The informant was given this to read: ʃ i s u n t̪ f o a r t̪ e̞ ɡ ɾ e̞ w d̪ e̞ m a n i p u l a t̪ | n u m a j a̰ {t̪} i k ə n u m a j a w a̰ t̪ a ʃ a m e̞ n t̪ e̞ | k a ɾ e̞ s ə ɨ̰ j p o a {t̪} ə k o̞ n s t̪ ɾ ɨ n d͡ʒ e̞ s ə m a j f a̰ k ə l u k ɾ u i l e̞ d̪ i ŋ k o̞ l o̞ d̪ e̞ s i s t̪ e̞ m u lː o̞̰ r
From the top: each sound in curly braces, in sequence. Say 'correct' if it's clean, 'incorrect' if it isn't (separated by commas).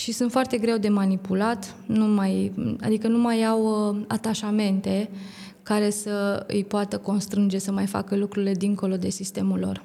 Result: incorrect, correct